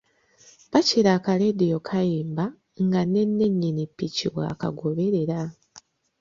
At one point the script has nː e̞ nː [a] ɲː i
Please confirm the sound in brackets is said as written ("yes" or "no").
no